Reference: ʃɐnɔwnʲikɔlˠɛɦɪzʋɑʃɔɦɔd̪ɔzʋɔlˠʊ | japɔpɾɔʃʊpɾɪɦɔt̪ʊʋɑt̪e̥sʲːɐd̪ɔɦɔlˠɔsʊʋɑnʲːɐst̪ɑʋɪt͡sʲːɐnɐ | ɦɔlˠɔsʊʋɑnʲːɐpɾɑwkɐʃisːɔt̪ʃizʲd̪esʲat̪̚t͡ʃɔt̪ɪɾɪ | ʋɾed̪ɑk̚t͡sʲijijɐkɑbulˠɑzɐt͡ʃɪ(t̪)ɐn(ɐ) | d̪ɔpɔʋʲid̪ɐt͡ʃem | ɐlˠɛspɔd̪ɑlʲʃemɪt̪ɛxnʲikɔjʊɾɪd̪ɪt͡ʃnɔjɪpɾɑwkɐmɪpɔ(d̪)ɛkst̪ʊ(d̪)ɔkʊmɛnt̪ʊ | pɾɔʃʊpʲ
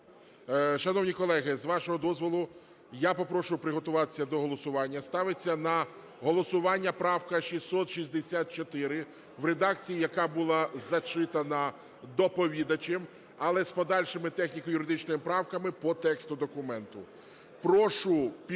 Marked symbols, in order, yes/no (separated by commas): yes, yes, no, yes